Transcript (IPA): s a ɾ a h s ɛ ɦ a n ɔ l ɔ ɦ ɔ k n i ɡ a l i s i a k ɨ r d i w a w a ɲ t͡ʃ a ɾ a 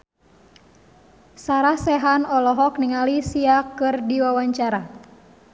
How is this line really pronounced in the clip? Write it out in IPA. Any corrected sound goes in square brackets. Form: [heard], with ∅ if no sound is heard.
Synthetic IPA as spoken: s a ɾ a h s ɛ ɦ a n ɔ l ɔ ɦ ɔ k n i [ŋ] a l i s i a k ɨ r d i w a w a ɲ t͡ʃ a ɾ a

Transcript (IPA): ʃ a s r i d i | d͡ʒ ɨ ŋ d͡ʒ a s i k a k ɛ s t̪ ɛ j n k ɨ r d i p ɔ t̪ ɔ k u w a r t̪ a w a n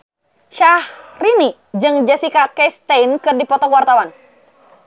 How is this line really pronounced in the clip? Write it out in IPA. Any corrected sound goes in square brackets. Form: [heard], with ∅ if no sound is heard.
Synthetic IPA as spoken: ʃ a [h] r i [n] i | d͡ʒ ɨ ŋ d͡ʒ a s i k a k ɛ s t̪ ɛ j n k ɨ r d i p ɔ t̪ ɔ k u w a r t̪ a w a n

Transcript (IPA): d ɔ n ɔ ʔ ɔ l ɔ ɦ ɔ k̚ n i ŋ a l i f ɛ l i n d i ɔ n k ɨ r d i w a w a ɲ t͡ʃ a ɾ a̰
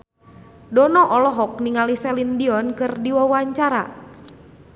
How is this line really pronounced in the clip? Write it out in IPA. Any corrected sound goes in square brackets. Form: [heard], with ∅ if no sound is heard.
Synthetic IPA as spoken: d ɔ n ɔ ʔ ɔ l ɔ ɦ ɔ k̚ n i ŋ a l i [s] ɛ l i n d i ɔ n k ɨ r d i w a w a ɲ t͡ʃ a ɾ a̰

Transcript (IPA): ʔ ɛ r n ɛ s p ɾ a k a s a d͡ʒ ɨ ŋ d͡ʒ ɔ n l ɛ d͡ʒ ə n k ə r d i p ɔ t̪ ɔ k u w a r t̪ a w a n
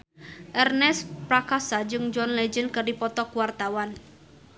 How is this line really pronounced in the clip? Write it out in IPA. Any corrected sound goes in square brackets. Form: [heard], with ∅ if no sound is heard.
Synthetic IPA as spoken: ʔ ɛ r n ɛ s p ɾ a k a s a d͡ʒ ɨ ŋ d͡ʒ ɔ n l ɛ d͡ʒ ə n k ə r d i p ɔ t̪ ɔ k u w a r t̪ a w a n

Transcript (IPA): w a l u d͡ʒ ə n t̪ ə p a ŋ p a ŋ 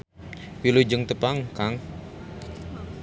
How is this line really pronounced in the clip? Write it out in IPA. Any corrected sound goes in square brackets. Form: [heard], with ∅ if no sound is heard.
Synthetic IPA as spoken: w [i] l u d͡ʒ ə [ŋ] t̪ ə p a ŋ [k] a ŋ

